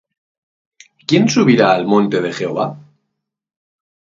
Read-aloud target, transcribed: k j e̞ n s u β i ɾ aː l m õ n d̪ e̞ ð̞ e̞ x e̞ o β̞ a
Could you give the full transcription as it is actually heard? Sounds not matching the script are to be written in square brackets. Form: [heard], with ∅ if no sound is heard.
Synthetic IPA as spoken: k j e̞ n s u β i ɾ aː l m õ n [t̪] e̞ ð̞ e̞ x e̞ o β̞ a